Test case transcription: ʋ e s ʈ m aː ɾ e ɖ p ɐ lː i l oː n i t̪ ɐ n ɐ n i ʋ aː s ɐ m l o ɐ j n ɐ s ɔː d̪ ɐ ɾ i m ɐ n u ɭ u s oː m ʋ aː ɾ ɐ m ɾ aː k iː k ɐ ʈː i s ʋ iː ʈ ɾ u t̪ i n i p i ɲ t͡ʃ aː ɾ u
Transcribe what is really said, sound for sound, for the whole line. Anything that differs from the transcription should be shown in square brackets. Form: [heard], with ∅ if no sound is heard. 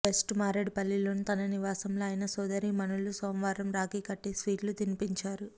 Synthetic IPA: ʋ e s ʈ m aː ɾ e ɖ p ɐ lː i l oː n i t̪ ɐ n ɐ n i ʋ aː s ɐ m l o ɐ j n ɐ s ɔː d̪ ɐ ɾ i m ɐ n u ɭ u s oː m ʋ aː ɾ ɐ m ɾ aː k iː k ɐ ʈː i s ʋ iː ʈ [l] u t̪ i n i p i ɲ t͡ʃ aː ɾ u

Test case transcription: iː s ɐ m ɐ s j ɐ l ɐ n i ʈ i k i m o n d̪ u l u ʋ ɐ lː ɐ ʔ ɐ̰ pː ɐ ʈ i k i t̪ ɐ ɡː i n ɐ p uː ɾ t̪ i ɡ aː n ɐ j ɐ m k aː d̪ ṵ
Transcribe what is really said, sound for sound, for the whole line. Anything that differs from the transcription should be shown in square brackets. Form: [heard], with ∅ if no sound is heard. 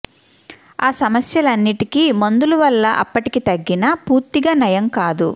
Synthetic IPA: [aː] s ɐ m ɐ s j ɐ l ɐ [nː] i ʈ i k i m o n d̪ u l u ʋ ɐ lː ɐ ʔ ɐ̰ pː ɐ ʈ i k i t̪ ɐ ɡː i n ɐ p uː ɾ t̪ i ɡ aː n ɐ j ɐ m k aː d̪ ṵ

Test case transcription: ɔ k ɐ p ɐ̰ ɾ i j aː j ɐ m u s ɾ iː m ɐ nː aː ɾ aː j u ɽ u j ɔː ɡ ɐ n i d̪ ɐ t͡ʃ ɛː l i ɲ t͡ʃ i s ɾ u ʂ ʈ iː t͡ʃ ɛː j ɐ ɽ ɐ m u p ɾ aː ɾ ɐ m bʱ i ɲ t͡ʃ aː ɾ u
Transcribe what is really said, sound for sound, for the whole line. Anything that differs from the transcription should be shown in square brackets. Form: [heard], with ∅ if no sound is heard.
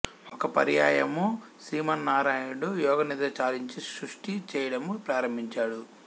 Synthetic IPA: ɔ k ɐ p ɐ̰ ɾ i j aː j ɐ m u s ɾ iː m ɐ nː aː ɾ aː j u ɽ u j ɔː ɡ ɐ n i d̪ ɐ t͡ʃ [aː] l i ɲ t͡ʃ i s ɾ u ʂ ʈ [i] t͡ʃ ɛː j ɐ ɽ ɐ m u p ɾ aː ɾ ɐ m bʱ i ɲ t͡ʃ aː [ɽ] u

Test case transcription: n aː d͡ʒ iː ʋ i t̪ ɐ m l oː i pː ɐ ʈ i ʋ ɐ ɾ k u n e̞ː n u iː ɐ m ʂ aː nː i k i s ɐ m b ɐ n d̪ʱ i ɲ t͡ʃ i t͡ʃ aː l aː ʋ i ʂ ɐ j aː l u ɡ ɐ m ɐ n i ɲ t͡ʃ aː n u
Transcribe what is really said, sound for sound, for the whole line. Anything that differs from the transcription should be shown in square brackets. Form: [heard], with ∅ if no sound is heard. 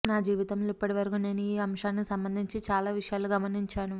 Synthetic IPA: n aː d͡ʒ iː ʋ i t̪ ɐ m l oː i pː ɐ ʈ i ʋ ɐ ɾ k u n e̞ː n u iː ɐ m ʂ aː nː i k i s ɐ m b ɐ n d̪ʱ i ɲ t͡ʃ i t͡ʃ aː l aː ʋ i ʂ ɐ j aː l u ɡ ɐ m ɐ n i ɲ t͡ʃ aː n u

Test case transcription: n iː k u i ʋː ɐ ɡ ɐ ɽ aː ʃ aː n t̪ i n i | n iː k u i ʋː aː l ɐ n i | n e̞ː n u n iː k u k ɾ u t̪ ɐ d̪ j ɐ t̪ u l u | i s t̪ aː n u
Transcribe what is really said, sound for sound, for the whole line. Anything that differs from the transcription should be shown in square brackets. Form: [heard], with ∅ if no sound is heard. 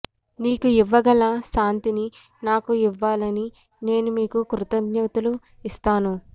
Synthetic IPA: n iː k u i ʋː ɐ ɡ ɐ [l] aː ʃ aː n t̪ i n i | n [aː] k u i ʋː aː l ɐ n i | n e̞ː n u [m] iː k u k ɾ u t̪ ɐ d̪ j ɐ t̪ u l u | i s t̪ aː n u

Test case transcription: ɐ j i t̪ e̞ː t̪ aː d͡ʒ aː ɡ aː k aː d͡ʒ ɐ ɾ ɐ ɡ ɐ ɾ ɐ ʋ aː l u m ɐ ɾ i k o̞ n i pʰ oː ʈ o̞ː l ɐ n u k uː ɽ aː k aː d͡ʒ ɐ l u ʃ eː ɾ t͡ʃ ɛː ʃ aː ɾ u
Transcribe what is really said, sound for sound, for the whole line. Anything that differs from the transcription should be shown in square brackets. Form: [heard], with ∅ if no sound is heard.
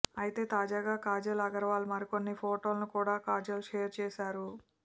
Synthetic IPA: ɐ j i t̪ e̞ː t̪ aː d͡ʒ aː ɡ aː k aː d͡ʒ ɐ [l] ɐ ɡ ɐ ɾ ɐ ʋ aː l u m ɐ ɾ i k o̞ [nː] i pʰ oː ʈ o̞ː l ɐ n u k uː ɽ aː k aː d͡ʒ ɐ l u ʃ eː ɾ t͡ʃ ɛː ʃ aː ɾ u

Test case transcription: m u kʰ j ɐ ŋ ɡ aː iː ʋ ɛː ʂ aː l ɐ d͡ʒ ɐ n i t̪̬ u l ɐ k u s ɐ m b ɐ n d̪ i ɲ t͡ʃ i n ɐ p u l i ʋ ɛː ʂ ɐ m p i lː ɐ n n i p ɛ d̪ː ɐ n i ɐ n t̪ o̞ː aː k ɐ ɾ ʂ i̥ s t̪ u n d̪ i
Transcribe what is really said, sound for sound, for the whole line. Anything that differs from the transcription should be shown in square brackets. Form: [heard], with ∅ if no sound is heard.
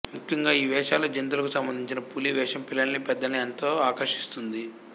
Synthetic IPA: m u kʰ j ɐ ŋ ɡ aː iː ʋ ɛː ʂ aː l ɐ d͡ʒ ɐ n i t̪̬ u l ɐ k u s ɐ m b ɐ n d̪ i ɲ t͡ʃ i n ɐ p u l i ʋ ɛː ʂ ɐ m p i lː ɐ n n i p ɛ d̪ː ɐ n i ɐ n t̪ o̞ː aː k ɐ ɾ ʂ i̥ s t̪ u n d̪ i

